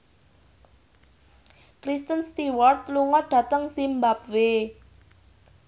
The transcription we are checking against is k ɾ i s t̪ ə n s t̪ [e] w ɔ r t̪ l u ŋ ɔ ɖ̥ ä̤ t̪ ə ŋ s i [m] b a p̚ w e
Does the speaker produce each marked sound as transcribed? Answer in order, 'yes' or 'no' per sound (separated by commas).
no, yes